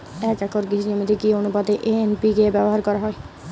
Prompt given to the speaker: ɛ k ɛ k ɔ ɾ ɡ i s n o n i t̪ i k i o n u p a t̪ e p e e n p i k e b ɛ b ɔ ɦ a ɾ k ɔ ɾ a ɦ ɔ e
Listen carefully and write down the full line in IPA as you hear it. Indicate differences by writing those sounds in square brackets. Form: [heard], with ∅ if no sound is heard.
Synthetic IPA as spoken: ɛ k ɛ k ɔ ɾ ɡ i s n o [m] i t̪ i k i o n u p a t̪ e [ʔ] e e n p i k e b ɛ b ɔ ɦ a ɾ k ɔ ɾ a ɦ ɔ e